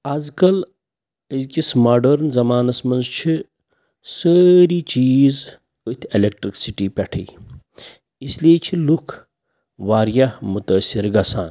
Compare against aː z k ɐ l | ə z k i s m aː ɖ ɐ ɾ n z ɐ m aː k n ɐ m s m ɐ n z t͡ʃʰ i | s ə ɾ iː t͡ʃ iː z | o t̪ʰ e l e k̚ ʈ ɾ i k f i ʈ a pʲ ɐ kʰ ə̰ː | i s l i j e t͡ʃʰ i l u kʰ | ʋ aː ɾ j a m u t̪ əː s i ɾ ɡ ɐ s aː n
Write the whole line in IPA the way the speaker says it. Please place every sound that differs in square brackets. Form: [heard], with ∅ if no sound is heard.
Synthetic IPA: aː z k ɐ l | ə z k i s m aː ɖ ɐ ɾ n z ɐ m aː [∅] n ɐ [∅] s m ɐ n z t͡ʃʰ i | s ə ɾ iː t͡ʃ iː z | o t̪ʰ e l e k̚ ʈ ɾ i k [s] i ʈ [i] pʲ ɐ [ʈʰ] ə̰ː | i s l i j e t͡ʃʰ i l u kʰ | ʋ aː ɾ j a m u t̪ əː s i ɾ ɡ ɐ s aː n

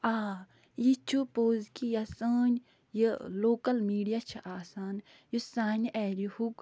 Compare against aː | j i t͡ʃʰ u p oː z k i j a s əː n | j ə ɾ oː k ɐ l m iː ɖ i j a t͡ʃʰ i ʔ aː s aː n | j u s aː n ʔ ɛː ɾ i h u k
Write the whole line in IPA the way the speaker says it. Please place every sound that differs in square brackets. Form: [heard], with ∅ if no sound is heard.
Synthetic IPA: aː | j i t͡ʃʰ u p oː z k i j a s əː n | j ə [l] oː k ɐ l m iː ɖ i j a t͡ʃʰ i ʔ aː s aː n | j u s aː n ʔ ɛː ɾ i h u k

